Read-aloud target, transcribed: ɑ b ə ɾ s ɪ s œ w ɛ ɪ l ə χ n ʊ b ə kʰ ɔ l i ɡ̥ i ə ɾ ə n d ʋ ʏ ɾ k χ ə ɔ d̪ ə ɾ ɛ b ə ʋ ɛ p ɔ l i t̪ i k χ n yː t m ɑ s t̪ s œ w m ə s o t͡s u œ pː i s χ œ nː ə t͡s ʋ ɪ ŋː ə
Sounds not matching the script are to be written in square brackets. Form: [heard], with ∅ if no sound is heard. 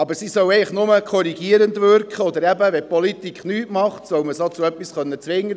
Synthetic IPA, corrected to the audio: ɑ b ə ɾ s [i] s œ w ɛ ɪ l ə χ n ʊ [m] ə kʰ ɔ [ɾ] i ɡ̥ i ə ɾ ə n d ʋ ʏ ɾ k χ ə ɔ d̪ ə ɾ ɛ b ə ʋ ɛ p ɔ l i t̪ i k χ n yː t m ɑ [χ] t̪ s œ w m ə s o t͡s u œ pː i s χ œ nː ə t͡s ʋ ɪ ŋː ə

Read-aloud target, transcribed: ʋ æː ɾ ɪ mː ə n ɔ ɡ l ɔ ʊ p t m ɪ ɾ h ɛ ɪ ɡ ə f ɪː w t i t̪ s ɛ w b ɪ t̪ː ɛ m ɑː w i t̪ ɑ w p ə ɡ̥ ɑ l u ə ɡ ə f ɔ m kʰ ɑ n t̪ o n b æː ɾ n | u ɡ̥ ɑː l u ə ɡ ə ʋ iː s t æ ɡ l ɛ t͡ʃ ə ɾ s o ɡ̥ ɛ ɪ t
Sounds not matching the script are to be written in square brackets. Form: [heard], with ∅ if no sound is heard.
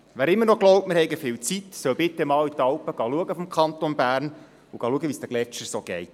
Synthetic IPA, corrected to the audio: ʋ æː ɾ ɪ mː ə n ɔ ɡ l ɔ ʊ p t m ɪ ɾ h ɛ ɪ ɡ ə f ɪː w [t͡s] i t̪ s [œ] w b ɪ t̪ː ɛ m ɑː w i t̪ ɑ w p ə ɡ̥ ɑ l u ə ɡ ə f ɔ m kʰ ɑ n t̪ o n b æː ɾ n | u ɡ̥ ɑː l u ə ɡ ə ʋ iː s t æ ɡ l ɛ t͡ʃ ə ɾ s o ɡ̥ ɛ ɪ t

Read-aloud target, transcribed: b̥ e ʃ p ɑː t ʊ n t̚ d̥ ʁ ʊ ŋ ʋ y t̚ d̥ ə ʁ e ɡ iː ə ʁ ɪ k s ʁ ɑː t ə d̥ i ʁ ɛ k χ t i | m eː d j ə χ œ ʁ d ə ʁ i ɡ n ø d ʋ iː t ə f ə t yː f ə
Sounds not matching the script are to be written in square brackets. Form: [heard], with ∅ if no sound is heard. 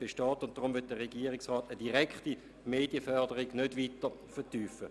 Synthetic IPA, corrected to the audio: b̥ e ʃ [t] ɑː t ʊ n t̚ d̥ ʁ ʊ [m] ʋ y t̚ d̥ ə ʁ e ɡ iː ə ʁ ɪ k s ʁ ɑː t ə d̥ i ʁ ɛ k χ t i | m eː d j ə [f] œ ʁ d ə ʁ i ɡ n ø d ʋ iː t ə f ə t yː f ə

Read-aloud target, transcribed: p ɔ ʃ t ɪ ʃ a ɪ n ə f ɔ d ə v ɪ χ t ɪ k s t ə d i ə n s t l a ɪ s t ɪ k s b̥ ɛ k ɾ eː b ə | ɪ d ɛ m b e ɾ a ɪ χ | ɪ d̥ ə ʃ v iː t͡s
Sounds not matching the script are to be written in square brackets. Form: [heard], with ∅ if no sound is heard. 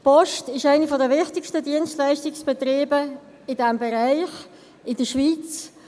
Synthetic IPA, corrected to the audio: p ɔ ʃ t ɪ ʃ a ɪ n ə f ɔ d ə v ɪ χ t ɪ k [ʃ] t ə d i ə n s t l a ɪ s t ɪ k s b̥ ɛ [t] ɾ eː b ə | ɪ d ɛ m b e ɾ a ɪ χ | ɪ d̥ ə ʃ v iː t͡s

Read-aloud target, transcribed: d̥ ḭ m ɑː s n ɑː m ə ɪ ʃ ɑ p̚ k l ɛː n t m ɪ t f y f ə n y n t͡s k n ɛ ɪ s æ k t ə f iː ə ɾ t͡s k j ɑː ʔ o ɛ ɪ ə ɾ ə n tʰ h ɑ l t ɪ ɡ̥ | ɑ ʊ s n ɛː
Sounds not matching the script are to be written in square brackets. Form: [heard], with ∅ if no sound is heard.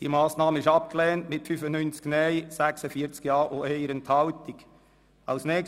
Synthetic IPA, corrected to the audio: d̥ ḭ m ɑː s n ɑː m ə ɪ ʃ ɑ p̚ k l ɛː n t m ɪ t f y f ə n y n t͡s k n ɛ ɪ s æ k [s] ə f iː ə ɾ t͡s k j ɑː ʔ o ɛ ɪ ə ɾ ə n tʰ h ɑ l t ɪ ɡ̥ | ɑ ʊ s n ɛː

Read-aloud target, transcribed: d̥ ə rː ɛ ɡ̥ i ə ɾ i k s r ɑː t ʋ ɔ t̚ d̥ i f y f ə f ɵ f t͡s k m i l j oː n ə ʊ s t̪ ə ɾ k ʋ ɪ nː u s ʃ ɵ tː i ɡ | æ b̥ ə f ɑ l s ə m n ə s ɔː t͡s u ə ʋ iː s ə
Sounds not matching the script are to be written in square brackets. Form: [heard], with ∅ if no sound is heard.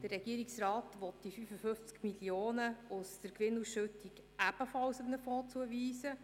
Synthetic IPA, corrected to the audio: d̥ ə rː ɛ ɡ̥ i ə ɾ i k s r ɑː t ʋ ɔ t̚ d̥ i f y f ə f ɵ f t͡s k m i l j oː n ə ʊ s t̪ ə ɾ k ʋ ɪ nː u s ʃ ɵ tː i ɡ | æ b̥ ə f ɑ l s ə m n ə [f] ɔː t͡s u ə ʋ iː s ə

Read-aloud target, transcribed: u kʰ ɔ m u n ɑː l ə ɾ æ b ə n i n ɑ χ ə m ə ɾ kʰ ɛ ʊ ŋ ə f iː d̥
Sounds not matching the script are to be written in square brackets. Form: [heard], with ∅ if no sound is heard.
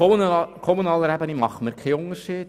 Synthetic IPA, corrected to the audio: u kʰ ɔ m u n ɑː l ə ɾ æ b ə n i [m] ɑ χ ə m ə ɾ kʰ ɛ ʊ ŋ ə [ʃ] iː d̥

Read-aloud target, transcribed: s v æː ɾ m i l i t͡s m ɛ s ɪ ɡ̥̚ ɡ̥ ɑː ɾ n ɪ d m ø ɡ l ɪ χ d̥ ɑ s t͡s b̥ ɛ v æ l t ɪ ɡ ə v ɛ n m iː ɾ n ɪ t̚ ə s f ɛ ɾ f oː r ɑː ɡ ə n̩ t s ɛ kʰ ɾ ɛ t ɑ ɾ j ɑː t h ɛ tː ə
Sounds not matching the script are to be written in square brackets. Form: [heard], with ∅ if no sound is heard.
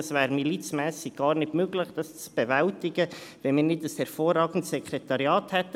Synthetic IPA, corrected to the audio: s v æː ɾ m i l i t͡s m [ɛː] s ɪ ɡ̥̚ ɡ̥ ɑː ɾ n ɪ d m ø ɡ l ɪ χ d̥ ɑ s t͡s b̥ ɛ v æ l t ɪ ɡ ə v ɛ n m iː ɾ n ɪ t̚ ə s [h] ɛ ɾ f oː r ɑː ɡ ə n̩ t s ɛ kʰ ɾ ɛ t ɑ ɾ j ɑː t h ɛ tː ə

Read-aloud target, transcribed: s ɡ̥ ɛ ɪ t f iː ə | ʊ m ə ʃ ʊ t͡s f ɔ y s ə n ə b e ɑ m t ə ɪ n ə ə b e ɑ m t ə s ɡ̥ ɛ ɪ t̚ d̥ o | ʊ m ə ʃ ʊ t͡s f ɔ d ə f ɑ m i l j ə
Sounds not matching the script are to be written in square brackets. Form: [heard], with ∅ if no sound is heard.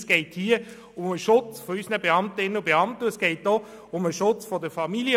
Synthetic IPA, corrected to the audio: s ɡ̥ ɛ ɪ t [h] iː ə | ʊ m ə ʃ ʊ t͡s f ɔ y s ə n ə b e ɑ m t ə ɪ n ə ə b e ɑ m t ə s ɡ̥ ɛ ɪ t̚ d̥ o | ʊ m ə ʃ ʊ t͡s f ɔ d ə f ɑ m i l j ə

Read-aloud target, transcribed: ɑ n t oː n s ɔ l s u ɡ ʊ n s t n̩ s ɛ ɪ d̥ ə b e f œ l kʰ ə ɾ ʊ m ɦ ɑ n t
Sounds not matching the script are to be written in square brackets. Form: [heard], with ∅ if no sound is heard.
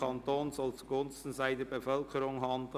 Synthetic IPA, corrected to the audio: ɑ n t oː n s ɔ l [t͡s] u ɡ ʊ n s t n̩ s [a] ɪ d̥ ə b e f œ l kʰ ə ɾ ʊ [ŋ] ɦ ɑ n [d]

